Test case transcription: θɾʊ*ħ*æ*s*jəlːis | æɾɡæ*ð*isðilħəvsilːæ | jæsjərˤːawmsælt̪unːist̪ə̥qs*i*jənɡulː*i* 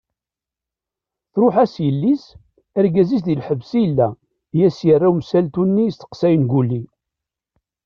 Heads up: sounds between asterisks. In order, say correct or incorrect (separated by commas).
correct, correct, incorrect, incorrect, correct